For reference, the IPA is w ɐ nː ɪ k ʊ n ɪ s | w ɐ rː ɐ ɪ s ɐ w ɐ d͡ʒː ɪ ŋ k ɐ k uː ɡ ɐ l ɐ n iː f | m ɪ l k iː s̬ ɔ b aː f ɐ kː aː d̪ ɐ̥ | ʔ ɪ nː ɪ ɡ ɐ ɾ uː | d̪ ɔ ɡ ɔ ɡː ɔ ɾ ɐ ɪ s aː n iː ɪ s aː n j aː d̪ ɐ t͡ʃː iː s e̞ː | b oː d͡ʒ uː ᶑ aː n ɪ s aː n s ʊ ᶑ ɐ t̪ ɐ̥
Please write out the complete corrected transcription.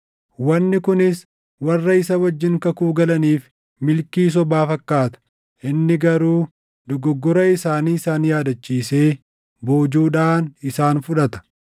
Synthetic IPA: w ɐ nː ɪ k ʊ n ɪ s | w ɐ rː ɐ ɪ s ɐ w ɐ d͡ʒː ɪ ŋ k ɐ k uː ɡ ɐ l ɐ n iː f | m ɪ l k iː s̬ ɔ b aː f ɐ kː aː t̪ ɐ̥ | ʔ ɪ nː ɪ ɡ ɐ ɾ uː | d̪ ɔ ɡ ɔ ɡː ɔ ɾ ɐ ɪ s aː n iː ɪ s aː n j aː d̪ ɐ t͡ʃː iː s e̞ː | b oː d͡ʒ uː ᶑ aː n ɪ s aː n f ʊ ᶑ ɐ t̪ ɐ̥